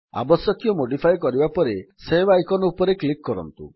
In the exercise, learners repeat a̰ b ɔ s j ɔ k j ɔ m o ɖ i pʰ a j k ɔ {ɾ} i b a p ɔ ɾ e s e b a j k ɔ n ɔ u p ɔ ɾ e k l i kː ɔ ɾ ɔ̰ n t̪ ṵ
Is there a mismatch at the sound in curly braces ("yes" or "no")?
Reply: no